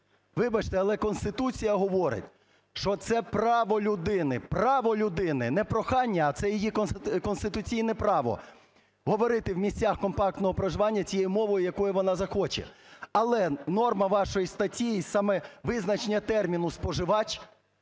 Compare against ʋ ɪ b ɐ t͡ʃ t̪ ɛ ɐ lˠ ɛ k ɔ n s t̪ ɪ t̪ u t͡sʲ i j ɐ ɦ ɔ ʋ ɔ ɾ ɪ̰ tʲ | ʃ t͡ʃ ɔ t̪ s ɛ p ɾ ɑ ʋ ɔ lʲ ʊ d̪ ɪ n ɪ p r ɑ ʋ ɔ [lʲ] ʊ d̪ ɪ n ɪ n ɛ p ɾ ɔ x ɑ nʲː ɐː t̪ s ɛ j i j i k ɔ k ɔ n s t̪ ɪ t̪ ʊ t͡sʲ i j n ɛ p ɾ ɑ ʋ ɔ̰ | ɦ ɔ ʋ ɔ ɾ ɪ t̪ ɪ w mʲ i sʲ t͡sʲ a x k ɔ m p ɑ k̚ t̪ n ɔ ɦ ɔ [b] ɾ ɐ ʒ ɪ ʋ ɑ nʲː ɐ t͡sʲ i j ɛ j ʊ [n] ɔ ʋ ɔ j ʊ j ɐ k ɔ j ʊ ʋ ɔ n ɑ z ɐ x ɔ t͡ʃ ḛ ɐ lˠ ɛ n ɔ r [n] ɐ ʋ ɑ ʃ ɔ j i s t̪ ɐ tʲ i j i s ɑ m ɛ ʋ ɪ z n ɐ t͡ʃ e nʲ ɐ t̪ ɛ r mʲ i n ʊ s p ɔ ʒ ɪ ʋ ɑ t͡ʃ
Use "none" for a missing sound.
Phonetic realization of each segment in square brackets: lʲ, p, m, m

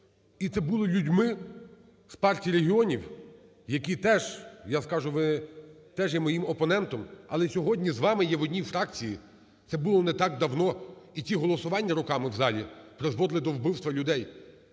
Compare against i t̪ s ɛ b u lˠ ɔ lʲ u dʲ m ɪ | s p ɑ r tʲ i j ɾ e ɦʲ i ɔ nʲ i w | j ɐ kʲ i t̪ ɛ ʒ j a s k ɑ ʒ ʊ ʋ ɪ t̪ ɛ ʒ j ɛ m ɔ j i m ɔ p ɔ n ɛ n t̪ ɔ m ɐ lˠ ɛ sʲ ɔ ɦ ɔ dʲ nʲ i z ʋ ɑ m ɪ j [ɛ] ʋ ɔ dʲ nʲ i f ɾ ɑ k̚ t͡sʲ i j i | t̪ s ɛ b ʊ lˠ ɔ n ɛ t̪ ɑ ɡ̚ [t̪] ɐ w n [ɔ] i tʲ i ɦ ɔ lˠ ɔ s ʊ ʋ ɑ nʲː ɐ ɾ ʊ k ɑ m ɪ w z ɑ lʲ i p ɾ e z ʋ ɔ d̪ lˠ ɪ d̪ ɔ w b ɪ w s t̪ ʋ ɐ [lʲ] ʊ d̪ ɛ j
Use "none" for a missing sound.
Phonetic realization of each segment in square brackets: ɛ, d̪, ɔ, lʲ

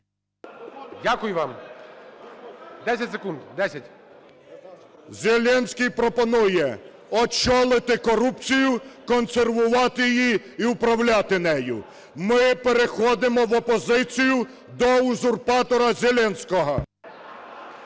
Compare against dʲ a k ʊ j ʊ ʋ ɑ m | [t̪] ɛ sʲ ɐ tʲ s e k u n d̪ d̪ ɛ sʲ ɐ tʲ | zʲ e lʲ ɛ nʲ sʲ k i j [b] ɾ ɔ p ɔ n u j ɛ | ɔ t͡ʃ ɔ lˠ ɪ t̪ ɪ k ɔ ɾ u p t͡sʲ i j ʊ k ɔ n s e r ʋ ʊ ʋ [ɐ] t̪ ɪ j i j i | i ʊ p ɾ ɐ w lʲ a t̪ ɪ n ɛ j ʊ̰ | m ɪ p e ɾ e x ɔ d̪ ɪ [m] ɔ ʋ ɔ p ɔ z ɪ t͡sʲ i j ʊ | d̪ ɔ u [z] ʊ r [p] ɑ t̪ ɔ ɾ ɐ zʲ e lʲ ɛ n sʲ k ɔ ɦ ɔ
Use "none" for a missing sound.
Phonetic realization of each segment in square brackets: d̪, p, ɑ, m, z, p

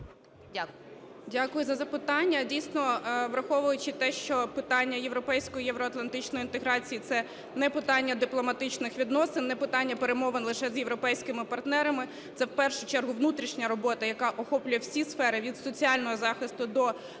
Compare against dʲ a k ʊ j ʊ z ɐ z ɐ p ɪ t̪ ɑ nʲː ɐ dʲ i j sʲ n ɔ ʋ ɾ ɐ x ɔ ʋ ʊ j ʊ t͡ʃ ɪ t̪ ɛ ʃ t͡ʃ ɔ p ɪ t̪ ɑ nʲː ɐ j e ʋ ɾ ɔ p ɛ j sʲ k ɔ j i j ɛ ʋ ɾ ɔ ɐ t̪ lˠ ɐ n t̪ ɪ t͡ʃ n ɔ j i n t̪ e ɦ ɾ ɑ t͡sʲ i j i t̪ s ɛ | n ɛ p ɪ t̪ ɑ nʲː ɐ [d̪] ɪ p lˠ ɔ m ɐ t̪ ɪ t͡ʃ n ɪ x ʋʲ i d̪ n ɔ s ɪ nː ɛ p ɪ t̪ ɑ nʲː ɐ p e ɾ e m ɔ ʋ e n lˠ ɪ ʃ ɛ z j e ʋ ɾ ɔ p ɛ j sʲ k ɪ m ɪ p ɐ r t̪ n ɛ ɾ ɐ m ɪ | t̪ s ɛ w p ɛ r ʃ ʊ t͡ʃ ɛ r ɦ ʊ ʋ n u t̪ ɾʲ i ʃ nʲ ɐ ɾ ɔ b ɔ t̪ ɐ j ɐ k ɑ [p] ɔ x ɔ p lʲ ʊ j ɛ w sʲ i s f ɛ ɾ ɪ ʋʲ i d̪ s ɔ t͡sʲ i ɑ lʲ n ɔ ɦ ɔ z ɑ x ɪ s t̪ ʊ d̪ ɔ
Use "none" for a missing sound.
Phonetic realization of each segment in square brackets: d̪, ʔ

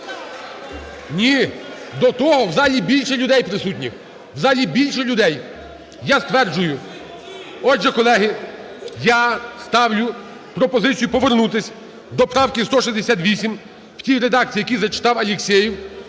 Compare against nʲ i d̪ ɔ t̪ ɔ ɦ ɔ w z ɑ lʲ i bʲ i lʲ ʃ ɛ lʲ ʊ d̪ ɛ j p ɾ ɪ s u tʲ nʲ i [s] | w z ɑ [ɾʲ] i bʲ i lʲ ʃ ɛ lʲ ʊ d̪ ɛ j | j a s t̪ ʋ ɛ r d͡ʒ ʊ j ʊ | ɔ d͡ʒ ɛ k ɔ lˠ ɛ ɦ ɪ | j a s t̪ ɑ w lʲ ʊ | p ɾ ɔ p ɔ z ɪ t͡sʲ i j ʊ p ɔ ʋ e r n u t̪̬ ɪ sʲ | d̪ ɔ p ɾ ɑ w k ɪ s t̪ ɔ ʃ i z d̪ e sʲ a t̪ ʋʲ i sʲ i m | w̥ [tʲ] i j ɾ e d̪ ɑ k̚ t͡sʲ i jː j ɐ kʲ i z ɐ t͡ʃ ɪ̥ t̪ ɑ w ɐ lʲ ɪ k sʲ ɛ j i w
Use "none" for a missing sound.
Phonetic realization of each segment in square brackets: x, lʲ, tʲ

